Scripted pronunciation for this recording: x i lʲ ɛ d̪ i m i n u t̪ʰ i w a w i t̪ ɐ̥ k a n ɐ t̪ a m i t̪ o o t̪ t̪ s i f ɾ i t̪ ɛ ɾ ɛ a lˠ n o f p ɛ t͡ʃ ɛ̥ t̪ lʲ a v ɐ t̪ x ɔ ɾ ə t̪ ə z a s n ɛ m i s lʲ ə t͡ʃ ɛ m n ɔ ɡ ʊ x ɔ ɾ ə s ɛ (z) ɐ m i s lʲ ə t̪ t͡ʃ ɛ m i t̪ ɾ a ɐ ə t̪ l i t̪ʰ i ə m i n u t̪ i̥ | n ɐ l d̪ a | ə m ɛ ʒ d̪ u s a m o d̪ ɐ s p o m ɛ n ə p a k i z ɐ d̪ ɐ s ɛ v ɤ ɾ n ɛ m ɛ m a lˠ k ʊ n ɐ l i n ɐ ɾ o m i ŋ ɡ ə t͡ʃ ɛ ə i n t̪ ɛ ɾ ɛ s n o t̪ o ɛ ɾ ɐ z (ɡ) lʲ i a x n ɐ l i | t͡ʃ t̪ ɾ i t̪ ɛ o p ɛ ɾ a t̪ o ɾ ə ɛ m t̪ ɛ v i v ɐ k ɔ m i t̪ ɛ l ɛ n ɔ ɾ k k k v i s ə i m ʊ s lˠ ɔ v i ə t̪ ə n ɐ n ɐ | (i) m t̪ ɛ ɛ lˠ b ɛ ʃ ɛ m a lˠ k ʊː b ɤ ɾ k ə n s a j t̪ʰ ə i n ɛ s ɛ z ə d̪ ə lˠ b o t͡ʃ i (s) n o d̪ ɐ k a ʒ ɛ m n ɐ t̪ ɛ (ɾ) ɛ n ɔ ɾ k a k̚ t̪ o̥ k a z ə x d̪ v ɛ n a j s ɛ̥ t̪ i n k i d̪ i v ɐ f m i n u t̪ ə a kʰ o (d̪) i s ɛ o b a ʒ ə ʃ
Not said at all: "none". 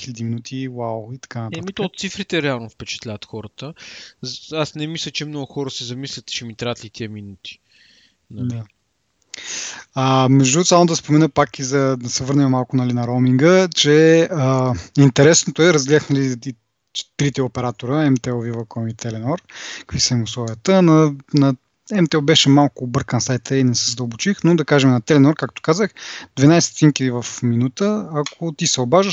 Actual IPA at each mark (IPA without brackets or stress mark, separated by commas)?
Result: z, ɡ, ɛ, x, l, t̪